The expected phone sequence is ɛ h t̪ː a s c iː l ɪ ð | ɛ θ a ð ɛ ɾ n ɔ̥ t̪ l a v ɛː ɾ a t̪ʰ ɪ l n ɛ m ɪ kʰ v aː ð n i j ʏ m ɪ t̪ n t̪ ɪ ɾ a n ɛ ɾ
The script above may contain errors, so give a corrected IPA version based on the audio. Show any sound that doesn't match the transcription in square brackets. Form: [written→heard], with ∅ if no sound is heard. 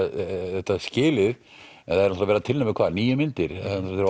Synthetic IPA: ɛ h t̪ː a s c [iː→ɪː] l ɪ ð | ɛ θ a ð ɛ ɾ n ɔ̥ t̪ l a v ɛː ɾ a t̪ʰ ɪ l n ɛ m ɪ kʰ v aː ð n [i→iː] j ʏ m ɪ [t̪→∅] n t̪ ɪ ɾ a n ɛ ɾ